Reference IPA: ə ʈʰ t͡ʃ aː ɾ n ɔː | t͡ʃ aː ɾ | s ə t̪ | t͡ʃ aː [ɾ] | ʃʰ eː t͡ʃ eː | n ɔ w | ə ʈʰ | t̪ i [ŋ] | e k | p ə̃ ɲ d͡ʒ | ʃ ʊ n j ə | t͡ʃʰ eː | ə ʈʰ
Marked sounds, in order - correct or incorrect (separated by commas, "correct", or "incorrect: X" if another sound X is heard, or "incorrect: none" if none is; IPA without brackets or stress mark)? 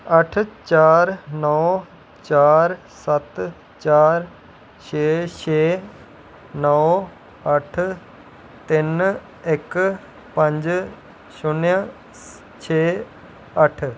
correct, incorrect: n